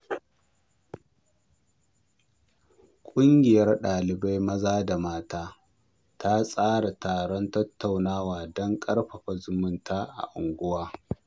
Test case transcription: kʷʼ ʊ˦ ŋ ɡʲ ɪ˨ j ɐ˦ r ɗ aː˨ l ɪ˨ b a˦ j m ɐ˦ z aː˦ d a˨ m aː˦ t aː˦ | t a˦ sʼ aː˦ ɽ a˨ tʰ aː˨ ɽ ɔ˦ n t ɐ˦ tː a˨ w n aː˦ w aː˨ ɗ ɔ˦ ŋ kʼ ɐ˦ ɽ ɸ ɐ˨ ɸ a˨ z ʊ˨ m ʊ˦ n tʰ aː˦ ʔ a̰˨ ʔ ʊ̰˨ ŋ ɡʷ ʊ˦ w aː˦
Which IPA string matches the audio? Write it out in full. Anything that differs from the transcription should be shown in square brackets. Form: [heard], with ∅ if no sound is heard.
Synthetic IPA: kʷʼ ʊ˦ ŋ ɡʲ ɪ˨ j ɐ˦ r ɗ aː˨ l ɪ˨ b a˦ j m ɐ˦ z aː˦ d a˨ m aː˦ t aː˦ | t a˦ sʼ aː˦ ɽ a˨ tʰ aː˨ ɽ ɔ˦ n t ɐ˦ tː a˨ w n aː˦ w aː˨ [d] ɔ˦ ŋ kʼ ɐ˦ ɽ ɸ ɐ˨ ɸ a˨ z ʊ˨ m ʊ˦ n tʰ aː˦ ʔ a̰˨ ʔ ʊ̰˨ ŋ ɡʷ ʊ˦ w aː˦